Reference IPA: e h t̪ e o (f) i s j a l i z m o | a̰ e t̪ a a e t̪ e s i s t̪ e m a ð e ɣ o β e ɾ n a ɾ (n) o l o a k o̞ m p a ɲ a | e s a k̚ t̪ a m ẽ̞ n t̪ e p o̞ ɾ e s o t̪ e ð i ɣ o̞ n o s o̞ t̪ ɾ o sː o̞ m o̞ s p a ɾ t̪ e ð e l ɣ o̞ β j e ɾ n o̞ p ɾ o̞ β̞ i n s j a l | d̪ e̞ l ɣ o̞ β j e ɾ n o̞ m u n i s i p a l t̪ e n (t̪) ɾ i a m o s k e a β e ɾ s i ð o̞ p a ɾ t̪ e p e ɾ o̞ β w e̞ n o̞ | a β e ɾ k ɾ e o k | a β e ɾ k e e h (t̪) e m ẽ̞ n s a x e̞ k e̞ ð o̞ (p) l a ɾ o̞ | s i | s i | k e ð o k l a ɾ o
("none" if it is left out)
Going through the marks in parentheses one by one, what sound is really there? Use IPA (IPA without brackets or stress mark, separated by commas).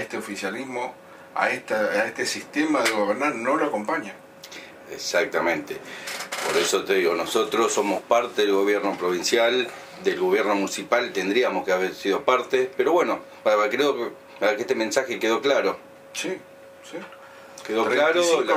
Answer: f, n, d̪, t̪, k